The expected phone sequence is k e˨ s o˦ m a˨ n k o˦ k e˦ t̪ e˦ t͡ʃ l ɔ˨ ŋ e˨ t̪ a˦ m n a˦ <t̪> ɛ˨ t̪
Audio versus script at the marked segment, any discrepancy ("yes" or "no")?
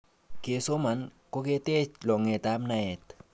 yes